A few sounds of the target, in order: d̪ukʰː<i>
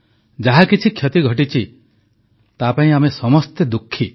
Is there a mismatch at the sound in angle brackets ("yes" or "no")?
no